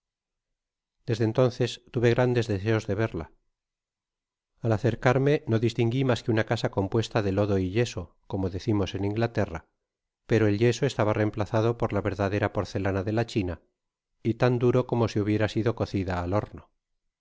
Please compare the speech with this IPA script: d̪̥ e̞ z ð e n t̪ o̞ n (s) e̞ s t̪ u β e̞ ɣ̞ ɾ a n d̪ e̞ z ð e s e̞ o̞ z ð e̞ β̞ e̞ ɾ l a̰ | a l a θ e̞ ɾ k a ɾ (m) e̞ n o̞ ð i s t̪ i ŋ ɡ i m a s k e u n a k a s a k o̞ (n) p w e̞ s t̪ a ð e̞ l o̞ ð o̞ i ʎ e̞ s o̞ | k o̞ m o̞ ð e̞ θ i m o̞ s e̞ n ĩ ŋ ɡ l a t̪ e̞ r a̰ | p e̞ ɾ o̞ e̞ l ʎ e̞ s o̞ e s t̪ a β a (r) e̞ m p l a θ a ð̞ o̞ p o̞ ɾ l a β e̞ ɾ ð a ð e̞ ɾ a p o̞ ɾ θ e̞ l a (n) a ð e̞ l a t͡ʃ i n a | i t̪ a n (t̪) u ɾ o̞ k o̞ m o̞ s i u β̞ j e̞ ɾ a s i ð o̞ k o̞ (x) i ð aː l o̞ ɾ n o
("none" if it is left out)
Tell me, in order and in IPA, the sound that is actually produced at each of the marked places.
θ, m, m, r, n, d̪, θ

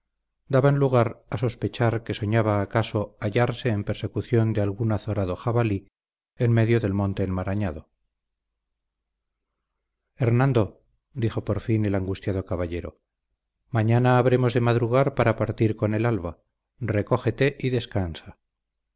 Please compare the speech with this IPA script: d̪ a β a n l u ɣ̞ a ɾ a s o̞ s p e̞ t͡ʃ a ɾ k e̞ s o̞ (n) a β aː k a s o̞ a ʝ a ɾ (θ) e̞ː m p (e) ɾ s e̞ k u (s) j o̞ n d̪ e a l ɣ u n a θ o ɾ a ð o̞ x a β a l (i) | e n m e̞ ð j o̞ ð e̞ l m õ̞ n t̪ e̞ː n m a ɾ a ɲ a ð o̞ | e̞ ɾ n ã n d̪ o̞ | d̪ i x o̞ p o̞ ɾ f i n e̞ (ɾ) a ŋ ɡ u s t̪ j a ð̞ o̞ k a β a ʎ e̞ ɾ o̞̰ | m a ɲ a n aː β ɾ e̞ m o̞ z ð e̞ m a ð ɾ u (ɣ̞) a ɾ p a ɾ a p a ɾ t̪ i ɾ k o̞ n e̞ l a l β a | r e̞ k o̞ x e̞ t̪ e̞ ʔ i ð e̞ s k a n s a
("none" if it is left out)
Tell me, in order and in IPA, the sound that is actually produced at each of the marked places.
ɲ, s, e, θ, i, l, ɣ̞

